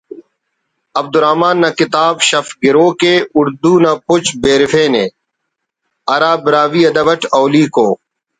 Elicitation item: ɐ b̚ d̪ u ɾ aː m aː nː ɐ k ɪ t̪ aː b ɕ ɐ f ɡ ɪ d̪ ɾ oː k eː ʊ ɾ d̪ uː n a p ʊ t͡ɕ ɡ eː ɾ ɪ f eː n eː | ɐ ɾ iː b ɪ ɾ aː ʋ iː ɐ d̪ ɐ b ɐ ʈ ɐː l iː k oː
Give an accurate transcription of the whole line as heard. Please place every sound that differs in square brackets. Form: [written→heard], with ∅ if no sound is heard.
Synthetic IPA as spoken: ɐ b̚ d̪ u ɾ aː m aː nː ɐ k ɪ t̪ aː b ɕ ɐ f ɡ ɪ [d̪→∅] ɾ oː k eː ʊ ɾ d̪ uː n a p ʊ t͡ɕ [ɡ→b] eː ɾ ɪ f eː n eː | ɐ ɾ [iː→aː] b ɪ ɾ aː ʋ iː ɐ d̪ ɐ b ɐ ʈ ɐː l iː k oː